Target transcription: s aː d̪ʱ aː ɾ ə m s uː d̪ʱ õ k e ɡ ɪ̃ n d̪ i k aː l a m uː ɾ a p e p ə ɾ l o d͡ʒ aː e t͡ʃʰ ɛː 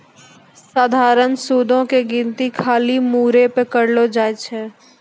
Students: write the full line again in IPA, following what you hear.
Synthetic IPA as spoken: s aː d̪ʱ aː ɾ ə n s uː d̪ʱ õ k e ɡ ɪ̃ n t̪ i kʰ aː l i m uː ɾ e p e k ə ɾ l o d͡ʒ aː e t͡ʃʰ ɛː

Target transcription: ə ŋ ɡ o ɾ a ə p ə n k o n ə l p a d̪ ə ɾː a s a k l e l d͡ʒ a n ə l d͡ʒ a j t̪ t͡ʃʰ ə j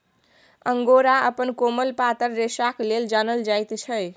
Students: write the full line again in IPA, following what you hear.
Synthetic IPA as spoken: ə ŋ ɡ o ɾ a ə p ə n k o m ə l p a t̪ ə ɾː e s a k l e l d͡ʒ a n ə l d͡ʒ a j t̪ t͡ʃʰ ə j

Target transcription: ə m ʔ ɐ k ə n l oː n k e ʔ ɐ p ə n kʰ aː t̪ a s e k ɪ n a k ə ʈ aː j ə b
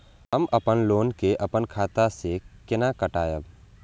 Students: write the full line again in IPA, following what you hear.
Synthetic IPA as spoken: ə m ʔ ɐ p ə n l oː n k e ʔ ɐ p ə n kʰ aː t̪ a s e k ɪ n a k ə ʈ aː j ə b

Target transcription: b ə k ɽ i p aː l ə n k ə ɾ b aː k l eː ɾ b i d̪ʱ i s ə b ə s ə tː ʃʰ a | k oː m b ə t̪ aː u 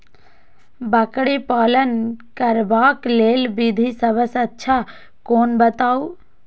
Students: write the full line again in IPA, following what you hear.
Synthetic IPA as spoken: b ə k ɽ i p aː l ə n k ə ɾ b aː k l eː l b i d̪ʱ i s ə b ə s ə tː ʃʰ a | k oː n b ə t̪ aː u

